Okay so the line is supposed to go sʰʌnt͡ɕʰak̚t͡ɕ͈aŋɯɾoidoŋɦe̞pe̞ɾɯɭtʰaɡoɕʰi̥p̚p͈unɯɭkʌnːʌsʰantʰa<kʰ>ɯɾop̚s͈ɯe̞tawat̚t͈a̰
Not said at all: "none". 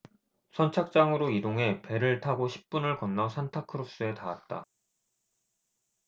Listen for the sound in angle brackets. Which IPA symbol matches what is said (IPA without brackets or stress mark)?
kʰ